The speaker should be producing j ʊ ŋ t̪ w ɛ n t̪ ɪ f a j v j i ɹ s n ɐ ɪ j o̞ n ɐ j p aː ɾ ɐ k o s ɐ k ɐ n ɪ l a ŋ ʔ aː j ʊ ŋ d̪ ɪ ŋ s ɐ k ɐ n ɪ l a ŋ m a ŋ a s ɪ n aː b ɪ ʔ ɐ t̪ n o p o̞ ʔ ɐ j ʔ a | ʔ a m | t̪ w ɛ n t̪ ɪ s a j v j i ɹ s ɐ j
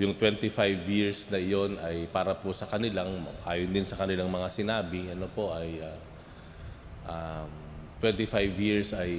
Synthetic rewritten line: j ʊ ŋ t̪ w ɛ n t̪ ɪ f a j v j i ɹ s n ɐ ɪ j o̞ n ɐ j p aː ɾ ɐ p o s ɐ k ɐ n ɪ l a ŋ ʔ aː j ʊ n d̪ ɪ n s ɐ k ɐ n ɪ l a ŋ m ɐ ŋ a s ɪ n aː b ɪ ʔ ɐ n o p o̞ ʔ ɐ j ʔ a | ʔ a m | t̪ w ɛ n t̪ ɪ f a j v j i ɹ s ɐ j